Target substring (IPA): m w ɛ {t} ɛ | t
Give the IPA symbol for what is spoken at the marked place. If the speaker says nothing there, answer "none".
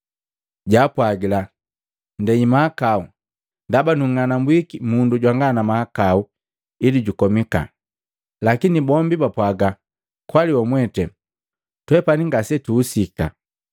t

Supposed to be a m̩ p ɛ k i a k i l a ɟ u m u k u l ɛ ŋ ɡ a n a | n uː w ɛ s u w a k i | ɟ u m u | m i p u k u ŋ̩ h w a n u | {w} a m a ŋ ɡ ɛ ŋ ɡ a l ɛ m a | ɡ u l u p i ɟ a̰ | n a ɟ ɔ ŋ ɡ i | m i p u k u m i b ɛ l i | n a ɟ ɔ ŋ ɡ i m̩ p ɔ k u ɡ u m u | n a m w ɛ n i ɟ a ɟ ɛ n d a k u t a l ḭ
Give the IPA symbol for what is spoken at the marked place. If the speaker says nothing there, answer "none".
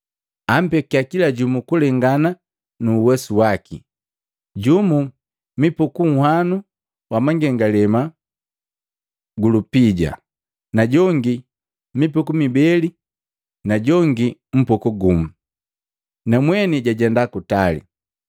w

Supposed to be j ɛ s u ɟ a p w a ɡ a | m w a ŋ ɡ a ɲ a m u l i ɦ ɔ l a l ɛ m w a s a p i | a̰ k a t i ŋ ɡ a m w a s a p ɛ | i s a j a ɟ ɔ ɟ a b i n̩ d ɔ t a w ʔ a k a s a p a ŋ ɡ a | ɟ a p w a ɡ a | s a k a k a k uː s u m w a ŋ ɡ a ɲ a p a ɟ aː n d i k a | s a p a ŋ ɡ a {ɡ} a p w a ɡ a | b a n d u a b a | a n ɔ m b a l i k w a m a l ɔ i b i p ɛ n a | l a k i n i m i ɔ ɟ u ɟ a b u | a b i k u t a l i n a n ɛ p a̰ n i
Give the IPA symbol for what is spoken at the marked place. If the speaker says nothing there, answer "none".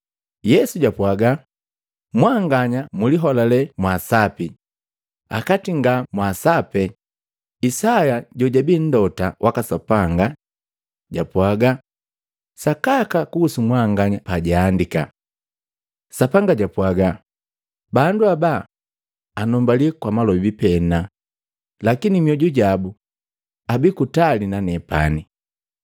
ɟ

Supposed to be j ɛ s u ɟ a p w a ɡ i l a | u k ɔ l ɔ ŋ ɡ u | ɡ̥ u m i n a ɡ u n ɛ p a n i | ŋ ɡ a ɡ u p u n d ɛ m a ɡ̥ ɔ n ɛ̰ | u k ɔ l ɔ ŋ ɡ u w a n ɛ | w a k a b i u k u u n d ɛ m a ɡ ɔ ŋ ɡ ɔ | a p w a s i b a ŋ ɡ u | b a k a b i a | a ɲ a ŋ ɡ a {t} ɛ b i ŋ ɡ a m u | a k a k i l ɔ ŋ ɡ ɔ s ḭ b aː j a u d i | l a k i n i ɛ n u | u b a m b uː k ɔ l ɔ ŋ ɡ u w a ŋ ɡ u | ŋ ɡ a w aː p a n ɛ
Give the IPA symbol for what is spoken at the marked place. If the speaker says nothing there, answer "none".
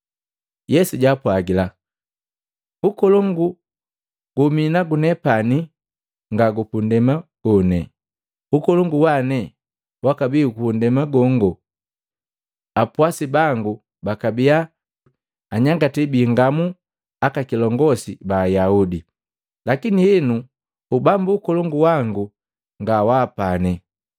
t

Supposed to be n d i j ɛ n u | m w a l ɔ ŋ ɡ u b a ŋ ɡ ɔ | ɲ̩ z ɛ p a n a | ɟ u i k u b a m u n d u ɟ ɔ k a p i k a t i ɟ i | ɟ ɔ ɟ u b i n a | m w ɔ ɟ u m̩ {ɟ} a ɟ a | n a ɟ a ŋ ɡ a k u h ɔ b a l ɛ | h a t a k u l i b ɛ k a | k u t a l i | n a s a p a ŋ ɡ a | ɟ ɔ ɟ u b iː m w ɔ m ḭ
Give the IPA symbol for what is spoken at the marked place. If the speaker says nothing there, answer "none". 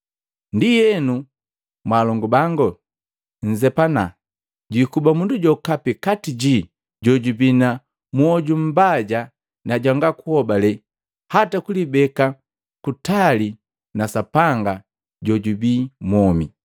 b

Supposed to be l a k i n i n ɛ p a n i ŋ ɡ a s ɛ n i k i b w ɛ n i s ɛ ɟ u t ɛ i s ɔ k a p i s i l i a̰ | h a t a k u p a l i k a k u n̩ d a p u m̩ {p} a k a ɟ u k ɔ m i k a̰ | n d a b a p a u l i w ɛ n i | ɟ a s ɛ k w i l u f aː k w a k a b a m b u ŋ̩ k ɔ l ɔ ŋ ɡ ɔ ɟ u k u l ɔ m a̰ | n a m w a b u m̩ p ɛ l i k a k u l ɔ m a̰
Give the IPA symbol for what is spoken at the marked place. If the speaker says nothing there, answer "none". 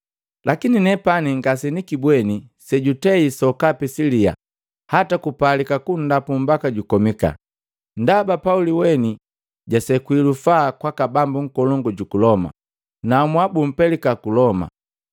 b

